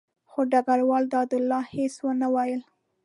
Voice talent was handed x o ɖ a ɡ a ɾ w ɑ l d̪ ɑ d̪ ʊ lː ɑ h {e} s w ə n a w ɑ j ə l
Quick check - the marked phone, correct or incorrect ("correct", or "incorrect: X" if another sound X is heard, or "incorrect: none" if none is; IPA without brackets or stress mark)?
correct